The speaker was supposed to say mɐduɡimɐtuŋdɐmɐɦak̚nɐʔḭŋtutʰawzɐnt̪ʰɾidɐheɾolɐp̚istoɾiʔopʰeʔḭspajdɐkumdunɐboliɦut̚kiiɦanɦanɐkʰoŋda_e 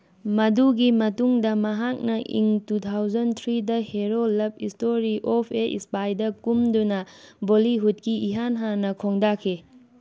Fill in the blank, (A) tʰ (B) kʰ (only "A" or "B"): B